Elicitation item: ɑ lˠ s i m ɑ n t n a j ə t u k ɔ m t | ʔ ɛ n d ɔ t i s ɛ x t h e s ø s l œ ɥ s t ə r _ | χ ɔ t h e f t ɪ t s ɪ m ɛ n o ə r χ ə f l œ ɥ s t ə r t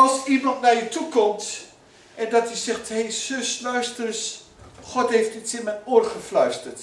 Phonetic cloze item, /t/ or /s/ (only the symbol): s